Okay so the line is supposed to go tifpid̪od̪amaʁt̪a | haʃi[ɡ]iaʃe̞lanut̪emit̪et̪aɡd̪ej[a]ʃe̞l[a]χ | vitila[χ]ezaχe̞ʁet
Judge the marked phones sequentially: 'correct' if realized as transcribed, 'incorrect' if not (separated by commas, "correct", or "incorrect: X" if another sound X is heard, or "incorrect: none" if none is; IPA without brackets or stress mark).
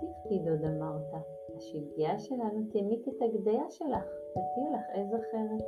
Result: correct, correct, correct, correct